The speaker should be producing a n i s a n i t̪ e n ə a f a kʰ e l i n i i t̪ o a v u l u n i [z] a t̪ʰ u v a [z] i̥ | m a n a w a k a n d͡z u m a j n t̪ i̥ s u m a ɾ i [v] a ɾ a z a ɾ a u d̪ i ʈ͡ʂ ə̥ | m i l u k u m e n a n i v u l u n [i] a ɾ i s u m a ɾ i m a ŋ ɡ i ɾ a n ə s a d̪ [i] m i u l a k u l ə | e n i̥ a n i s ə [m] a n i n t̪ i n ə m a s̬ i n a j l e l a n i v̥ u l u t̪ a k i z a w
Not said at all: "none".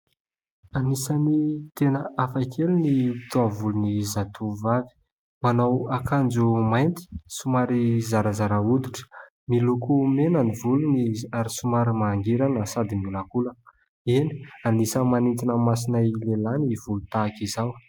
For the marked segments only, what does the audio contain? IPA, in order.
z, v, z, i, i, m

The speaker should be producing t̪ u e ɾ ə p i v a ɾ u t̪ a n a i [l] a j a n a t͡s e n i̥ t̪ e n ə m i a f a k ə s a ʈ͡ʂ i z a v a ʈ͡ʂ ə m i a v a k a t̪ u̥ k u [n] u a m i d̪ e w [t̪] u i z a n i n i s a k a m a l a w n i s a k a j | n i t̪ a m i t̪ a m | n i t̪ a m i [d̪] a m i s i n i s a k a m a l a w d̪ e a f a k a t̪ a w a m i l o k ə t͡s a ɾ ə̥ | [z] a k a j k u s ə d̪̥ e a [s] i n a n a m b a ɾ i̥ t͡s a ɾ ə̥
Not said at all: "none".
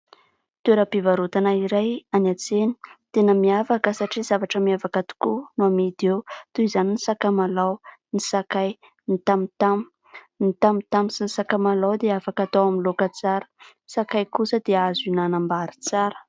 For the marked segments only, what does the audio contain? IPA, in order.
ɾ, n, t̪, t̪, s, z

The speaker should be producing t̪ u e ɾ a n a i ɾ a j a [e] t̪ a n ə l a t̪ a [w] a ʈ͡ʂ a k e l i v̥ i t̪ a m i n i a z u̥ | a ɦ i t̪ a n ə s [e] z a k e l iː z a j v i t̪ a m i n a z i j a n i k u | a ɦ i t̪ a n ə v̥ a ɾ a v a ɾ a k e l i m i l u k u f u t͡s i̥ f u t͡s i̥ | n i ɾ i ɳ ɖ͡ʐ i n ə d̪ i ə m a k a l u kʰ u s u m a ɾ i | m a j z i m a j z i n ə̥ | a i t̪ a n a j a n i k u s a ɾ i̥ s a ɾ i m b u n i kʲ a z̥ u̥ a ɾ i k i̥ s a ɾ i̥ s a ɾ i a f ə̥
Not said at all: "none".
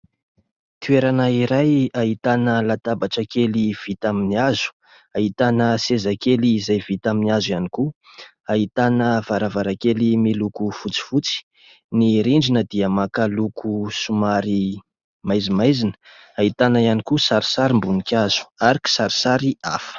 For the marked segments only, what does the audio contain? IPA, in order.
i, b, e

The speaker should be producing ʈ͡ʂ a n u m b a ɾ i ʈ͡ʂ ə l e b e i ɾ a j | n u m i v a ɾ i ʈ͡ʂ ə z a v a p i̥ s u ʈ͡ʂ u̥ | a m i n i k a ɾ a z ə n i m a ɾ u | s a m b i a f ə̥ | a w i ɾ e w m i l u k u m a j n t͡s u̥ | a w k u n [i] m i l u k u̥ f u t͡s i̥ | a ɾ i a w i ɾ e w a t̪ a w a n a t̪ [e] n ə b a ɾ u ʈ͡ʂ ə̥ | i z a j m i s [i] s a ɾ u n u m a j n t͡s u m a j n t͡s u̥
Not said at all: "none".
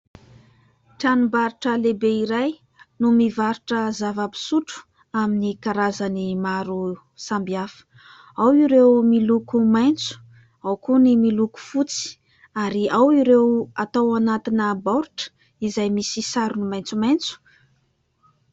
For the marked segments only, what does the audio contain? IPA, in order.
i, i, i

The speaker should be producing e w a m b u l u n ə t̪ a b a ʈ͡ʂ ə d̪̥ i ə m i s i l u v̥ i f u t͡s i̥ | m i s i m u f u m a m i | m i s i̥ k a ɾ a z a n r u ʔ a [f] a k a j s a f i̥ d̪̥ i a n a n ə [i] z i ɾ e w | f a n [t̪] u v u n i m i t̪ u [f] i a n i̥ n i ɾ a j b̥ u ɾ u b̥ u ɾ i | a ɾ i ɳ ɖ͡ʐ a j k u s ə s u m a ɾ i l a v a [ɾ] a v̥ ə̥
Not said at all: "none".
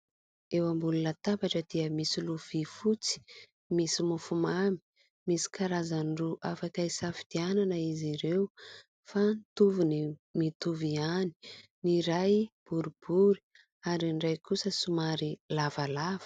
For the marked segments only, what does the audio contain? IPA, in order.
f, i, t̪, v, l

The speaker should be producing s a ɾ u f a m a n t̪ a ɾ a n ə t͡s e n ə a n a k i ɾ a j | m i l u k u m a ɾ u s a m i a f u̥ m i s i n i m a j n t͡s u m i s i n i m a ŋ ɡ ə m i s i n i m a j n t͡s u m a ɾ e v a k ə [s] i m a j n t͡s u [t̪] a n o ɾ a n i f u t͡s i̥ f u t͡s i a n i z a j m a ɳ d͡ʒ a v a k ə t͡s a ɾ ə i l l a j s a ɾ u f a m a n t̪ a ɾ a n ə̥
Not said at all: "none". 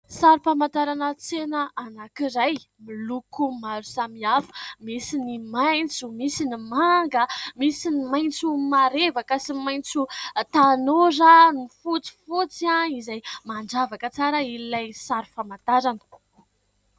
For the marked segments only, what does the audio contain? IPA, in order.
s, t̪

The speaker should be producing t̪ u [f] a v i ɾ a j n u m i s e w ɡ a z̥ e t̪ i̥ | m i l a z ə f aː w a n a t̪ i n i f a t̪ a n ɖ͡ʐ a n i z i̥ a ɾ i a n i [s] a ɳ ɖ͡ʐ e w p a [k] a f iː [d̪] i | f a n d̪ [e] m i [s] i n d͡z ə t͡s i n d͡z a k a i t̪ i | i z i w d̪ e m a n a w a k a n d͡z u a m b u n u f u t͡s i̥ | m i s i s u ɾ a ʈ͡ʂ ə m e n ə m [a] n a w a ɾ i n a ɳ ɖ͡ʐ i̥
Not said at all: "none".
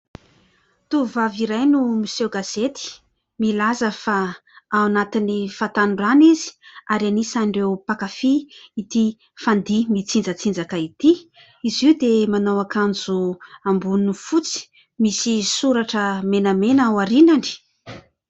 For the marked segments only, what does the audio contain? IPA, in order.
v, s, k, t̪, i, t͡s, e

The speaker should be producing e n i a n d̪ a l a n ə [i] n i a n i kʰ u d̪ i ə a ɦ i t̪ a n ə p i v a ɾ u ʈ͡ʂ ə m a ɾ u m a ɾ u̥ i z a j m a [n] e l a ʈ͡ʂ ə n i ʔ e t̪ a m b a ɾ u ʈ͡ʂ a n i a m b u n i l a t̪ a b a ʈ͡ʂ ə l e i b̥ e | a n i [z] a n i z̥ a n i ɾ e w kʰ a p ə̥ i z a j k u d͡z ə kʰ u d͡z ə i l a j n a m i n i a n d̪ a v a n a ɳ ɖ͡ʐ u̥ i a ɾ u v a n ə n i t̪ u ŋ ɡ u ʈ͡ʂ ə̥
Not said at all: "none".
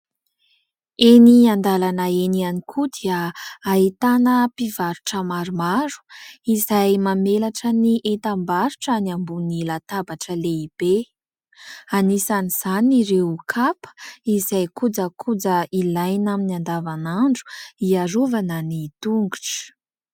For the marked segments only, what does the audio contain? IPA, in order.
e, m, s

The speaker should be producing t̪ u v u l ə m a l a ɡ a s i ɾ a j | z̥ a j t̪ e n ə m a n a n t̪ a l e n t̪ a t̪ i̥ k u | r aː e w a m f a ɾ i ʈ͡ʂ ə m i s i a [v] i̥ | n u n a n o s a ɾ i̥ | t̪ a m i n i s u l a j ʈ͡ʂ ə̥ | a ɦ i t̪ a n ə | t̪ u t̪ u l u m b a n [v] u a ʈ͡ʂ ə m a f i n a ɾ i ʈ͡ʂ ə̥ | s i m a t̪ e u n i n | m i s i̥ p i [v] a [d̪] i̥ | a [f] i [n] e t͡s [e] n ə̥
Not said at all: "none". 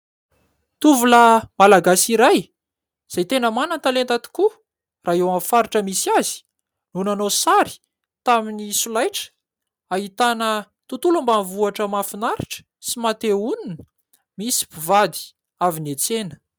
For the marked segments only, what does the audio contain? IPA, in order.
z, v, v, d̪, v, n, e

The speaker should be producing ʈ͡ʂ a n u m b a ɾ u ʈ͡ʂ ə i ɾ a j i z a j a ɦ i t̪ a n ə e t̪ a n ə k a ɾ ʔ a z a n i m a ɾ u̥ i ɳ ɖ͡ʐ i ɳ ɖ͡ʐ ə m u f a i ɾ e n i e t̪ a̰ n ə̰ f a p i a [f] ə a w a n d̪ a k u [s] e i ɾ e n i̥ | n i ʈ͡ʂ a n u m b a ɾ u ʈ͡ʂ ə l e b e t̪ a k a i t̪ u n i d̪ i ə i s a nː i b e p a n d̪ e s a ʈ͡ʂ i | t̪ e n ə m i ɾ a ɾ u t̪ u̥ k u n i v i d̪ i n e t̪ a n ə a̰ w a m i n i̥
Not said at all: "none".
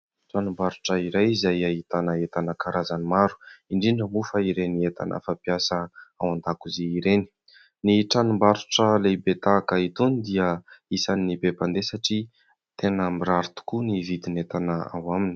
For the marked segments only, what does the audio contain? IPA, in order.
s, z

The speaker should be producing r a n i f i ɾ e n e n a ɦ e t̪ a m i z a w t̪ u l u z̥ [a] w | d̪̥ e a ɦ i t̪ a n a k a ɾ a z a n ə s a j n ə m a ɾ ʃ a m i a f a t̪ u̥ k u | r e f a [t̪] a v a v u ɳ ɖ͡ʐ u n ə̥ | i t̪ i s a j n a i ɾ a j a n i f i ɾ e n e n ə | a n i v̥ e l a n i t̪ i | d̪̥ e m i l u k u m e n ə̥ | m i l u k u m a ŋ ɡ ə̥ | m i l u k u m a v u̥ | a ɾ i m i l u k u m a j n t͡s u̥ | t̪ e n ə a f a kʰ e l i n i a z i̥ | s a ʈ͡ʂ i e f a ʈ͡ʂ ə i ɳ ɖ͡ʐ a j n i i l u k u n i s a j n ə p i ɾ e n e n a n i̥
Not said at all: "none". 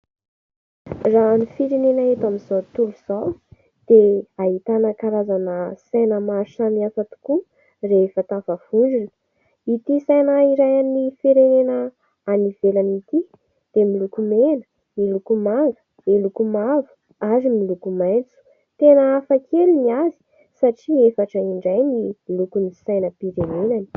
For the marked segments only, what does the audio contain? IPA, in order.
a, t̪

